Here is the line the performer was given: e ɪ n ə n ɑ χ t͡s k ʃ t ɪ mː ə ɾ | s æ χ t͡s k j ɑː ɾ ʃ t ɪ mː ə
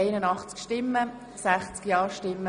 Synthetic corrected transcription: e ɪ n ə n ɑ χ t͡s k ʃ t ɪ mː ə | s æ χ t͡s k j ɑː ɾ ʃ t ɪ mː ə